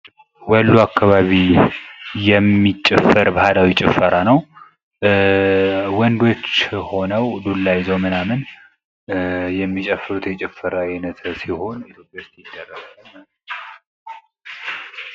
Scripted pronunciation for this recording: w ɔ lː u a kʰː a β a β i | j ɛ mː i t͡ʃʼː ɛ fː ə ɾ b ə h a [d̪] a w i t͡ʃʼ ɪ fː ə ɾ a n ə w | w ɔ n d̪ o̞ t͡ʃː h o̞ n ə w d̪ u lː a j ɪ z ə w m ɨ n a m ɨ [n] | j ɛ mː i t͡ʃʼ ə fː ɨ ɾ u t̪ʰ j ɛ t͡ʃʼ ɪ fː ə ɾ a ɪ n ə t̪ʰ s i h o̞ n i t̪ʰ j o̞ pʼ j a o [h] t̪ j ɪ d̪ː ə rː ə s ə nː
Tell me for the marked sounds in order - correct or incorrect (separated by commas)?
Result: correct, correct, incorrect